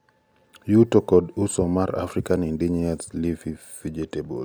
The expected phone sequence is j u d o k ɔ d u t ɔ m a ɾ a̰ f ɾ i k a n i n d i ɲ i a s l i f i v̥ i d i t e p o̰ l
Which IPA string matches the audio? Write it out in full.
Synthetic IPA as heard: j u t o k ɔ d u s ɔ m a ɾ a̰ f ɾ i k a n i n d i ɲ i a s l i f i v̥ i d͡ʒ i t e b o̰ l